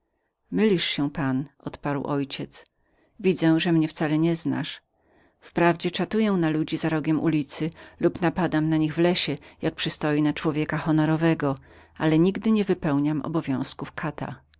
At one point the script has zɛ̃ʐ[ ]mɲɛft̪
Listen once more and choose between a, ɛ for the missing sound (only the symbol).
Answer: ɛ